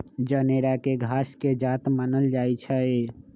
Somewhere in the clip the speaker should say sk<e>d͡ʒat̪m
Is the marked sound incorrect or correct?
correct